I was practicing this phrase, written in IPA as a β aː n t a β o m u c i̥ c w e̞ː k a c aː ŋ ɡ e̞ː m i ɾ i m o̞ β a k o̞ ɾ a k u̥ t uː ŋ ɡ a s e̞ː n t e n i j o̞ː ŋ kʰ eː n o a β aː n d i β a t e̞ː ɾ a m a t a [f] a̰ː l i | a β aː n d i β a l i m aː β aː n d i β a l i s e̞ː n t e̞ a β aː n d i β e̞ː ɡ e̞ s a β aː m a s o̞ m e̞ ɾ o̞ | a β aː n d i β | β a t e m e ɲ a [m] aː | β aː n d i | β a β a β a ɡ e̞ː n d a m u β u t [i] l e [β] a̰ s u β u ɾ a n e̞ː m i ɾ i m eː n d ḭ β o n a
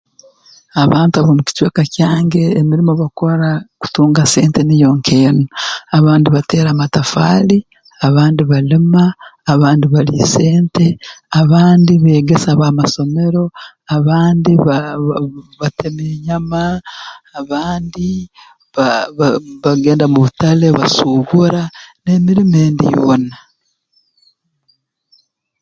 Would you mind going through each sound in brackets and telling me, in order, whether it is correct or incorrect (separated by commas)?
correct, correct, incorrect, correct